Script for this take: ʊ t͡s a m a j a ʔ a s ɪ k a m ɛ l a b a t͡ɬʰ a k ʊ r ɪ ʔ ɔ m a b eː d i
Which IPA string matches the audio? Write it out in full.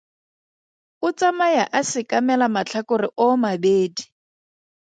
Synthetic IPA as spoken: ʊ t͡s a m a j a ʔ a s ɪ k a m ɛ l a m a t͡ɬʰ a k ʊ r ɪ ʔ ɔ m a b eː d i